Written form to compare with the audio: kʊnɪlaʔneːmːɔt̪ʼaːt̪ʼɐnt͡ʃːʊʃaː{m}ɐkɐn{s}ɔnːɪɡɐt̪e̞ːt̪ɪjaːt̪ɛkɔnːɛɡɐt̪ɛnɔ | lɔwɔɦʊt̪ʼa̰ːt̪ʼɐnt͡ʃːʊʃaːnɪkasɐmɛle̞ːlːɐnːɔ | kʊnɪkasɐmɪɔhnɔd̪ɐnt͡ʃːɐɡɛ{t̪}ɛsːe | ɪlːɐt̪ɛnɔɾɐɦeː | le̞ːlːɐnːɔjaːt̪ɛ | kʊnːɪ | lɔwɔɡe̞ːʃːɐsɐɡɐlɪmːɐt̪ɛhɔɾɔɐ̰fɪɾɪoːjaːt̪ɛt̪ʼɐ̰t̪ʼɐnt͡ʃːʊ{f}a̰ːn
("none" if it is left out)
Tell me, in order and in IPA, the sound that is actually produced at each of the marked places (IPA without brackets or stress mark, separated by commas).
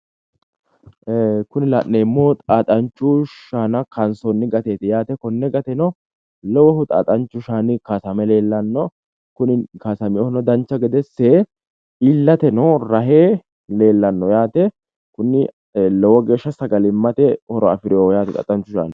n, s, d̪, ʃ